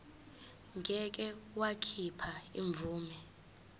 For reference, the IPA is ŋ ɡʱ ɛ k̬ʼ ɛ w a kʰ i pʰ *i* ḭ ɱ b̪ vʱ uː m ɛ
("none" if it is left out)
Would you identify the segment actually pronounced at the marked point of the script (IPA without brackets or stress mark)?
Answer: a